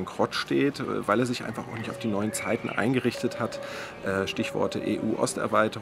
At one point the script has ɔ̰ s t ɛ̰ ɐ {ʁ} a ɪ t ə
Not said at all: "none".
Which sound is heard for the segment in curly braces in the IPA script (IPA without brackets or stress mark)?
v